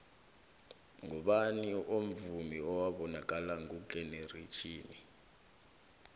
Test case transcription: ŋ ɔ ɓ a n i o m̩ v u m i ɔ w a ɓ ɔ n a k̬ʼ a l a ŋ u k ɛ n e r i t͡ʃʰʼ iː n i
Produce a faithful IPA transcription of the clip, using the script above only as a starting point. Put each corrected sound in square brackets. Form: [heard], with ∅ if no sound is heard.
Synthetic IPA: ŋ ɔ ɓ a n i o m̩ v u m i ɔ w a ɓ ɔ n a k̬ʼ a l a ŋ u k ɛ n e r i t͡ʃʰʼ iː n i